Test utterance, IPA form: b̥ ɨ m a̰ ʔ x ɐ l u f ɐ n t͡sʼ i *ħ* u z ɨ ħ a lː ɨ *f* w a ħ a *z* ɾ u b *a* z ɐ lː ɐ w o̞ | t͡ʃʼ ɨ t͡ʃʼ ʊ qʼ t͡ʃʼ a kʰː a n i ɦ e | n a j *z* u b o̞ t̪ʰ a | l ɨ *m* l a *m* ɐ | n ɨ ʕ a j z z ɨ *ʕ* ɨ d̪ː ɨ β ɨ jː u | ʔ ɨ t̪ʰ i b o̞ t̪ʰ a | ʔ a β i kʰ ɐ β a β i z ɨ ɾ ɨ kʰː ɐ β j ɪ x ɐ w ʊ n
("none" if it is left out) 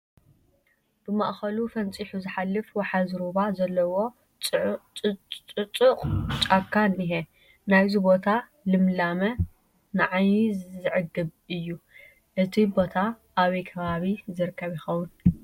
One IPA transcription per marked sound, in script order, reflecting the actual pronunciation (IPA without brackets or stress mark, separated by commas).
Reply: ħ, f, z, a, z, m, m, ʕ